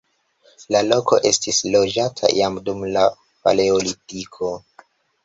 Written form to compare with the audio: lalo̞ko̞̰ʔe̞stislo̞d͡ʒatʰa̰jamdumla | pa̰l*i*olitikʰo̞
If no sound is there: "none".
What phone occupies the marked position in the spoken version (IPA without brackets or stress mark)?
e